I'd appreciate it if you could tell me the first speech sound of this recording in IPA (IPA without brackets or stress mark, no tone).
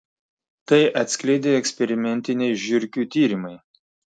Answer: t̪